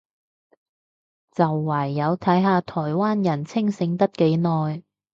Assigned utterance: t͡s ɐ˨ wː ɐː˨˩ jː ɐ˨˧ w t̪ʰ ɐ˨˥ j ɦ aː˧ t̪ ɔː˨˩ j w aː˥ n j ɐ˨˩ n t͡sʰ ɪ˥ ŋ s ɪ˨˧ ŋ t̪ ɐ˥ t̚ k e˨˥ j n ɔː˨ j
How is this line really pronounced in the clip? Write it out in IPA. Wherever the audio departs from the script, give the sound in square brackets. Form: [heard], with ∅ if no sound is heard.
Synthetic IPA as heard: t͡s ɐ˨ wː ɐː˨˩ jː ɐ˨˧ w t̪ʰ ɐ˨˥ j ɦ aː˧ [t̪ʰ] ɔː˨˩ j w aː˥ n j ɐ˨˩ n t͡sʰ ɪ˥ ŋ s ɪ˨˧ ŋ t̪ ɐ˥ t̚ k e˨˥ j n ɔː˨ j